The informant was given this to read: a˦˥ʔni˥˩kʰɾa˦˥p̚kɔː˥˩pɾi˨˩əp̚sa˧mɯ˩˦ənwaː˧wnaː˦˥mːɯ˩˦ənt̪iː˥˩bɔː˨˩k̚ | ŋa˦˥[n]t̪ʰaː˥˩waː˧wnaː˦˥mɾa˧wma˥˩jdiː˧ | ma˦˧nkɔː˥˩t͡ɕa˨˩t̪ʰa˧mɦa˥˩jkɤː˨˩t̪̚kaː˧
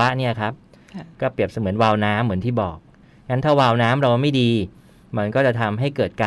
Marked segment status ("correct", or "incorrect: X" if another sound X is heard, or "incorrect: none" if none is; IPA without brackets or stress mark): correct